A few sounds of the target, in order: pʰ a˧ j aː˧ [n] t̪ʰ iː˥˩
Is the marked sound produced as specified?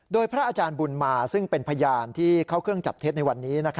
yes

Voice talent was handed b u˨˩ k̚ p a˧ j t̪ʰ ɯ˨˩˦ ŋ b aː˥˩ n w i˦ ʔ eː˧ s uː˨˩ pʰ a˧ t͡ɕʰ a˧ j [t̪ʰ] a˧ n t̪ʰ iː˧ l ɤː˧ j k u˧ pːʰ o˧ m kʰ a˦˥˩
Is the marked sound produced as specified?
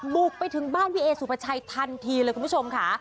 yes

